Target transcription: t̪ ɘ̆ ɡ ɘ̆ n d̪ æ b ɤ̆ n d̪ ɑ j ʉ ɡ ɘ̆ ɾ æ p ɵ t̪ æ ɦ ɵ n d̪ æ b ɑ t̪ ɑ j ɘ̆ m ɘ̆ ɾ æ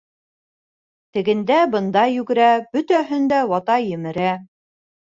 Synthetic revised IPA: t̪ ɘ̆ ɡ ɘ̆ n d̪ æ b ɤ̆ n d̪ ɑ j ʉ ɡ ɘ̆ ɾ æ b ɵ t̪ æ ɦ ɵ n d̪ æ w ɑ t̪ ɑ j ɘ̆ m ɘ̆ ɾ æ